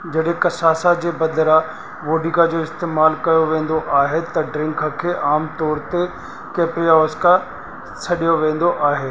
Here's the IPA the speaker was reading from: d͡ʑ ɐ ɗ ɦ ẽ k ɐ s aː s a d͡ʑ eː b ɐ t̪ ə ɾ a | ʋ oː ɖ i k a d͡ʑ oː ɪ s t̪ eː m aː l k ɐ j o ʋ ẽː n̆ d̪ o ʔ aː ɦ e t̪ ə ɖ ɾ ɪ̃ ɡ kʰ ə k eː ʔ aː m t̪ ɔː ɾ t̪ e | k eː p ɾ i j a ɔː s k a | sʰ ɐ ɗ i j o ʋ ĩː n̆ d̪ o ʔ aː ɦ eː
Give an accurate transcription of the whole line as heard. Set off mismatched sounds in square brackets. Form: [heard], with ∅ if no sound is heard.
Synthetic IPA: d͡ʑ ɐ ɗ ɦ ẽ k ɐ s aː s a d͡ʑ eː b ɐ [d̪] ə ɾ a | ʋ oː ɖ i k a d͡ʑ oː ɪ s t̪ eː m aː l k ɐ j o ʋ ẽː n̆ d̪ o ʔ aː ɦ e t̪ [ɐ] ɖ ɾ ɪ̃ [ŋ] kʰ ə [kʰ] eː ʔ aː m t̪ ɔː ɾ t̪ e | k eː p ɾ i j a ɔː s k a | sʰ ɐ ɗ i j o ʋ [ẽː] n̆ d̪ o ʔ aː ɦ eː